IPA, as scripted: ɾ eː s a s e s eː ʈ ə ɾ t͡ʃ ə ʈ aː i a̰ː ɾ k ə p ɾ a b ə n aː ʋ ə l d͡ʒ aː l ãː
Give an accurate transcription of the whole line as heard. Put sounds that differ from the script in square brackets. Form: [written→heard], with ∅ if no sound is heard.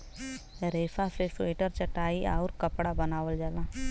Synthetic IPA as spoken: ɾ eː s a s e s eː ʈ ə ɾ t͡ʃ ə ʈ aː i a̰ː ɾ k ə p [ɾ→ɽ] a b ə n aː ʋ ə l d͡ʒ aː l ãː